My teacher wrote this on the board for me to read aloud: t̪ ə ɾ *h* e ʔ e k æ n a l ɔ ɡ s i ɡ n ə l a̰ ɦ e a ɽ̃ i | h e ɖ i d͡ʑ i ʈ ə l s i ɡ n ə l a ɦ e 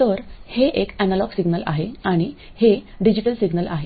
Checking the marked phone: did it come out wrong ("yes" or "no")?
no